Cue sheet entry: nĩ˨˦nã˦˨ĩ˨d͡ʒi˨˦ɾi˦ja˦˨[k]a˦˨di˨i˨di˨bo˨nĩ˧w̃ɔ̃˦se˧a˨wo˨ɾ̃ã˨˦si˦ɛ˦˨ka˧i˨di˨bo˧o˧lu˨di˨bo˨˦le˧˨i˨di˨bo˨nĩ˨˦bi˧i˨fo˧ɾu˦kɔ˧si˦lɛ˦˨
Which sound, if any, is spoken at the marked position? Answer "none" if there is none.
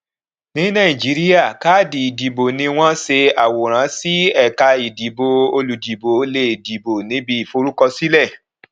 k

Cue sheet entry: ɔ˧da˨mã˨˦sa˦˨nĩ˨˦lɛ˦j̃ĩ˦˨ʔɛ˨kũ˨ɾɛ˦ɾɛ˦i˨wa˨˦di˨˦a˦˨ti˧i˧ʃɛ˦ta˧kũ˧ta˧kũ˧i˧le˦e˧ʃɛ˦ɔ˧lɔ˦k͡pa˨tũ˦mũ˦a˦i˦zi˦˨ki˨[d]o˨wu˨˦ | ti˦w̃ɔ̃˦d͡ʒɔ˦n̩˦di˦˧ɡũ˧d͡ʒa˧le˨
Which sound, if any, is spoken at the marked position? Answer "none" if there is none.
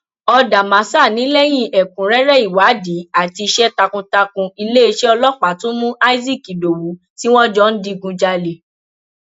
d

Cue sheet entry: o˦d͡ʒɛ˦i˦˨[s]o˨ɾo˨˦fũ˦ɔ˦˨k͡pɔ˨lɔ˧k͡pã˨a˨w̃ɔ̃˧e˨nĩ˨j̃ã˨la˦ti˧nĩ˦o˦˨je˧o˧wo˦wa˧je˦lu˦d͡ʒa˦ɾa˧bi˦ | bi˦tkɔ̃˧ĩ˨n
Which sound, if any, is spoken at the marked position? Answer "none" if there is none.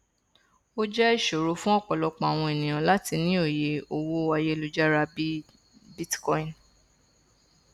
ʃ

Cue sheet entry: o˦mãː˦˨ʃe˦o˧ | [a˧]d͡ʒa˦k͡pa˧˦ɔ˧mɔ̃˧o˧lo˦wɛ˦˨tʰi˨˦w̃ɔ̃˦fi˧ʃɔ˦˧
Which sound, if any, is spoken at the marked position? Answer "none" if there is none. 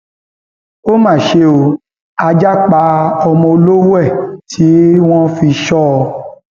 a˧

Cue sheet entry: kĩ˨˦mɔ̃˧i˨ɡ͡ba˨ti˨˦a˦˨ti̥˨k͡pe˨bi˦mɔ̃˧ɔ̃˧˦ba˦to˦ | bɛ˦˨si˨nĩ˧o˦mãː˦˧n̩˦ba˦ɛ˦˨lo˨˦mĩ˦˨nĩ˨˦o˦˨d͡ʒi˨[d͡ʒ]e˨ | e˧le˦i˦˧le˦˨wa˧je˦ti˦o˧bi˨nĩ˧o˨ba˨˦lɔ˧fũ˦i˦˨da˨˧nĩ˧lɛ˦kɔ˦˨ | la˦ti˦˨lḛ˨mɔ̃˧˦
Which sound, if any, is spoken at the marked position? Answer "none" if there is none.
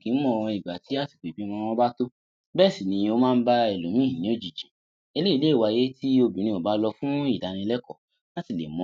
d͡ʒ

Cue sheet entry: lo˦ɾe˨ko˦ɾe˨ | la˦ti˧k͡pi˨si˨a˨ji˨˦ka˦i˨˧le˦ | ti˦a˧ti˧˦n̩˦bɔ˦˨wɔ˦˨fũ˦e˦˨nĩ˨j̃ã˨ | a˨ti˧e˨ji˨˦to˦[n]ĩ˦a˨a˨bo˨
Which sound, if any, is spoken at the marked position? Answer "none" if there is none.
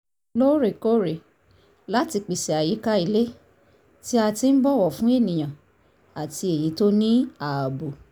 n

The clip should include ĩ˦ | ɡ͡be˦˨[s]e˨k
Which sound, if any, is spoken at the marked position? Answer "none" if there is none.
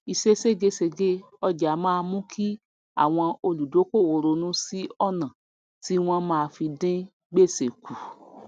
s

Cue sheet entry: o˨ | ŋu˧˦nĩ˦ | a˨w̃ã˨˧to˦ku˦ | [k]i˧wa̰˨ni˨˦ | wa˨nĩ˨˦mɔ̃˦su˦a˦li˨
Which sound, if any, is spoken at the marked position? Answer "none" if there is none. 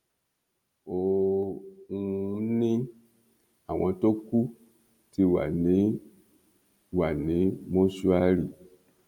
t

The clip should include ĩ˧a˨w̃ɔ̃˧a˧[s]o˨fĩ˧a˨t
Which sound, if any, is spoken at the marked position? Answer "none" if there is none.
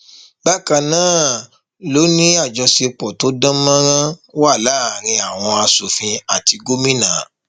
s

